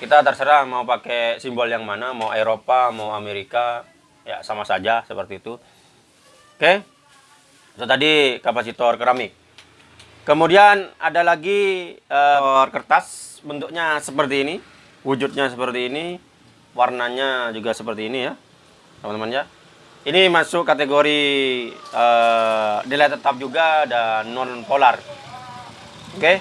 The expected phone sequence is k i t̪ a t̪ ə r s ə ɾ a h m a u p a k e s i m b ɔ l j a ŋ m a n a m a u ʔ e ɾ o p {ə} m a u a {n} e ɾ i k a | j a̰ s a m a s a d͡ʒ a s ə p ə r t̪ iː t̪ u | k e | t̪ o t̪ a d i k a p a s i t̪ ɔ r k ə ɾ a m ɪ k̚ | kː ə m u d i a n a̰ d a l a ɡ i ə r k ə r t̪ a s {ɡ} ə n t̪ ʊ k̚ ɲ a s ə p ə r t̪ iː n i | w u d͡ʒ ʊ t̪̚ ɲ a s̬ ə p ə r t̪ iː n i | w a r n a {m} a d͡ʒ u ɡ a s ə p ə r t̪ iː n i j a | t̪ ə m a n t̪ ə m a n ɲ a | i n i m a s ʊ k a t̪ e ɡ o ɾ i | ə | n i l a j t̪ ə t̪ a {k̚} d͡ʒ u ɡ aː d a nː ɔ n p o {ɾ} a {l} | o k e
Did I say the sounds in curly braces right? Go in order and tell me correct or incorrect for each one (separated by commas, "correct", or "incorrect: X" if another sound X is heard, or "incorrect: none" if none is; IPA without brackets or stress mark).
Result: incorrect: a, incorrect: m, incorrect: b, incorrect: ɲ, incorrect: p̚, incorrect: l, incorrect: r